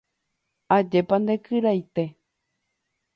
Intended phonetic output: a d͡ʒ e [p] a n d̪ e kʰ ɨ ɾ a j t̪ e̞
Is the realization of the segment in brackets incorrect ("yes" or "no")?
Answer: no